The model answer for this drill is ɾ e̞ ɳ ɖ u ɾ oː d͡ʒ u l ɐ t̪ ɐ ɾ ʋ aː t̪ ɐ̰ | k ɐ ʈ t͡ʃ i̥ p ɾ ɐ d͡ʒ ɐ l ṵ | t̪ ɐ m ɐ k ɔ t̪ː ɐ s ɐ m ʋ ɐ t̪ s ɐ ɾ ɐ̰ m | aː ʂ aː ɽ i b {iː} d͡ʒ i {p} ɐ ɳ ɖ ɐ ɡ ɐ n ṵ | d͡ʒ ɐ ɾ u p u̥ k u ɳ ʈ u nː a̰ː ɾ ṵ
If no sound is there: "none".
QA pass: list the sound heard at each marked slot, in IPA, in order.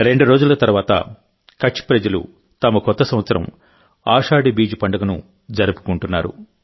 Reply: iː, p

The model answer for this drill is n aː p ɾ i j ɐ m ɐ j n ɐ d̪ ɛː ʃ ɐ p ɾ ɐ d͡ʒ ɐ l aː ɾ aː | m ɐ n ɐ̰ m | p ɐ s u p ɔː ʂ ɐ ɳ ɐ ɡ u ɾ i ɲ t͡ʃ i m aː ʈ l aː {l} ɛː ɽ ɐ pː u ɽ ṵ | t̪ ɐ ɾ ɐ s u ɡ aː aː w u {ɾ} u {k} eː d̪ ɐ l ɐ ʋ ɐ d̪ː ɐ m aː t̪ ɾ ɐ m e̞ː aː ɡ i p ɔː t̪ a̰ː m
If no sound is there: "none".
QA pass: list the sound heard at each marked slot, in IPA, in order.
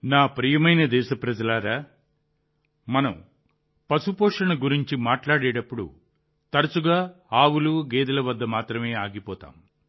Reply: ɽ, l, ɡ

